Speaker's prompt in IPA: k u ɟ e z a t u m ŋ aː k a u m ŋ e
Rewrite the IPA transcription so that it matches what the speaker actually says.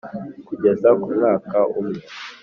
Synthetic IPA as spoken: k u ɟ e z a k u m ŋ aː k a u m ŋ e